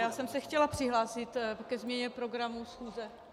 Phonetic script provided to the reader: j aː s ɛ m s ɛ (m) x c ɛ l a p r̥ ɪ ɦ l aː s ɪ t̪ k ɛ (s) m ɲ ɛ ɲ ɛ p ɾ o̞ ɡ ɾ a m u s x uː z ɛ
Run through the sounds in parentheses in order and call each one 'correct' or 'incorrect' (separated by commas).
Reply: incorrect, incorrect